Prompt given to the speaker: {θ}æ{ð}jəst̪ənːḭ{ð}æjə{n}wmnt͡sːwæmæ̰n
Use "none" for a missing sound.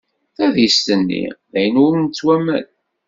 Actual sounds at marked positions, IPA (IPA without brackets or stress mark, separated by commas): θ, ð, ð, n